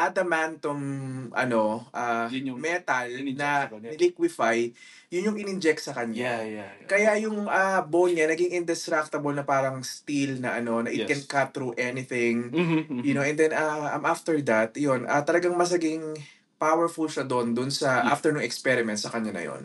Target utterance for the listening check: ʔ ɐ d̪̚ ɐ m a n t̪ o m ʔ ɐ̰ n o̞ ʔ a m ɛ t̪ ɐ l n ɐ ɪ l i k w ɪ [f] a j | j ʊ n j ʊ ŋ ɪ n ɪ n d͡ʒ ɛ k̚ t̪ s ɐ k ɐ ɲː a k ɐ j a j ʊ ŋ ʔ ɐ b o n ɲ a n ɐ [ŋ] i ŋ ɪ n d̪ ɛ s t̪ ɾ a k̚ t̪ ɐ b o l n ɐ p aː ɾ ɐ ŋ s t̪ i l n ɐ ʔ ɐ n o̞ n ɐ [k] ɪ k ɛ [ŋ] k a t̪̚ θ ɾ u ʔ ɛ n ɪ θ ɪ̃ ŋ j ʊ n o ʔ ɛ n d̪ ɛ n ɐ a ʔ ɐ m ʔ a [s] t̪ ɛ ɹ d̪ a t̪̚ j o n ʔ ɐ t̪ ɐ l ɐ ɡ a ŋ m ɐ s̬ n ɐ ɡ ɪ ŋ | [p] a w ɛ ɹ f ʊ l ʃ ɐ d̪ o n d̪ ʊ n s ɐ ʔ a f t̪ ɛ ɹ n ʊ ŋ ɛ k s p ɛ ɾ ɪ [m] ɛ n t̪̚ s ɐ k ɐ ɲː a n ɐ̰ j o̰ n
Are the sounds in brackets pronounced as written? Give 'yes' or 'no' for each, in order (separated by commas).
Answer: yes, no, no, no, no, yes, yes